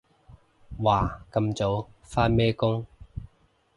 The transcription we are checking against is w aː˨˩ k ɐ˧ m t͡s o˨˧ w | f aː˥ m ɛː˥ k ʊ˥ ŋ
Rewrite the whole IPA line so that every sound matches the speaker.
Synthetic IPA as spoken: w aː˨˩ k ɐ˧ m t͡s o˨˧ w | f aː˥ m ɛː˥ k ʊ˥ ŋ